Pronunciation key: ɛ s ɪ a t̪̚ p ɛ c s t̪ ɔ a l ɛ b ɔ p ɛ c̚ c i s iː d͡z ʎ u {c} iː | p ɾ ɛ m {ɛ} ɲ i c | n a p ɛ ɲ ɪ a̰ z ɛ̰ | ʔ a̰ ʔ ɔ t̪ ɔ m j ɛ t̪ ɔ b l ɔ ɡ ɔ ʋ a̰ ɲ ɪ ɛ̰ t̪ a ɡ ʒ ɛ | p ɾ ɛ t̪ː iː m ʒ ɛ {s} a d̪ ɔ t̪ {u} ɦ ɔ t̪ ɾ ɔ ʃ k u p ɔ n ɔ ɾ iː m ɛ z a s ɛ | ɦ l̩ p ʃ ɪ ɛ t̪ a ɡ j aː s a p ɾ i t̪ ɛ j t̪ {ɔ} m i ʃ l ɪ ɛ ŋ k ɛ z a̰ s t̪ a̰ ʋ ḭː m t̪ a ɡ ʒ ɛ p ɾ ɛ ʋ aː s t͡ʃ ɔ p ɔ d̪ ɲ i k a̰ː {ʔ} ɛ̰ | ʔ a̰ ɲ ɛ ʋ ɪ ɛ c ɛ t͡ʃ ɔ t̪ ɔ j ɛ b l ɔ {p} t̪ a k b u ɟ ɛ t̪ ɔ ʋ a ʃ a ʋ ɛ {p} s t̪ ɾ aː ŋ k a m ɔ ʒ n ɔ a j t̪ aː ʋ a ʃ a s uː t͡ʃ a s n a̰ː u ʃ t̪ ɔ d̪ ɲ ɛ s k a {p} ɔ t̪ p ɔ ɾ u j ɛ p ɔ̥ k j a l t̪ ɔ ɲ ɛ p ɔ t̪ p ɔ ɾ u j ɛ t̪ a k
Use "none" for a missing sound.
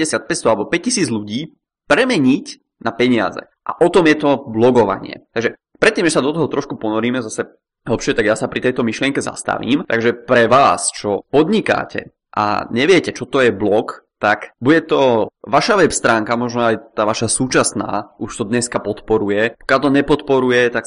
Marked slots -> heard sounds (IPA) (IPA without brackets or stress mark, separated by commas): ɟ, ɛ, s, ɔ, ɔ, c, k, p, p